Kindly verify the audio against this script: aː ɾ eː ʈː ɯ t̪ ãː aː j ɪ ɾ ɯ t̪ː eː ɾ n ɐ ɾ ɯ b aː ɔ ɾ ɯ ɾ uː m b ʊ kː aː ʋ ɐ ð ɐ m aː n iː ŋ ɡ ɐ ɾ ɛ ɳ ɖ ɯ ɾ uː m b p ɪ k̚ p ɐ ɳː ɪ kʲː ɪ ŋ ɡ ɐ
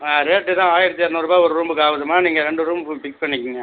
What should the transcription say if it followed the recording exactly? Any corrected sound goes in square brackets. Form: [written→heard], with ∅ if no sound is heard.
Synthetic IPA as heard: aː ɾ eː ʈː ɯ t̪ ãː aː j ɪ ɾ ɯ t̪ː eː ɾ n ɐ ɾ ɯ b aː ɔ ɾ ɯ ɾ uː m b [ʊ→ɯ] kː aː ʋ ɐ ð ɐ m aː n iː ŋ ɡ ɐ ɾ ɛ ɳ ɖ ɯ ɾ uː m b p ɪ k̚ p ɐ ɳː ɪ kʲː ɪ ŋ ɡ ɐ